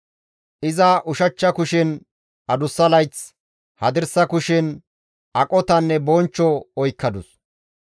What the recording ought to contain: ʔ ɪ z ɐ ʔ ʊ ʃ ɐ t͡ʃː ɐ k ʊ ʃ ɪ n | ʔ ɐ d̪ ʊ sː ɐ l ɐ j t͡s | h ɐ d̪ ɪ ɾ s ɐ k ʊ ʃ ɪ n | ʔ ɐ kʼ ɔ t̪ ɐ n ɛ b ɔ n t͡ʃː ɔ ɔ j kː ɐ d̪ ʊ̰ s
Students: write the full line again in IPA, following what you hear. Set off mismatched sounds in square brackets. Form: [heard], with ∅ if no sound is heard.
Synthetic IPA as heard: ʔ ɪ z ɐ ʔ ʊ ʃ ɐ t͡ʃː ɐ k ʊ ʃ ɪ n | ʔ ɐ d̪ ʊ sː ɐ l ɐ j t͡s | h ɐ d̪ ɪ ɾ s ɐ k ʊ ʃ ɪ n | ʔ ɐ kʼ ɔ t̪ ɐ [nː] ɛ b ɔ n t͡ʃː ɔ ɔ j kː ɐ d̪ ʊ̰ s